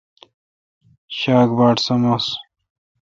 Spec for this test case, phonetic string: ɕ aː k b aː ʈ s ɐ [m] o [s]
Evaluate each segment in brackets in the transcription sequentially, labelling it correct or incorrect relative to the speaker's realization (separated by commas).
correct, correct